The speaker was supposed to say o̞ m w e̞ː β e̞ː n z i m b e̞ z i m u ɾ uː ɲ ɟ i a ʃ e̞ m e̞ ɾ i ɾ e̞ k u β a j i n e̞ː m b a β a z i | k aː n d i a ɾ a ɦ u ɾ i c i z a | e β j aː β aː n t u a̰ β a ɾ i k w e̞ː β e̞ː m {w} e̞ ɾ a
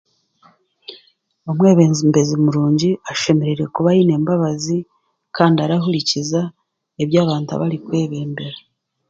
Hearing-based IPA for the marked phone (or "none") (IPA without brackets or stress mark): b